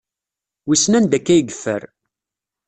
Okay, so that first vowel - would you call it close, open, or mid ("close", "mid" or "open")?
close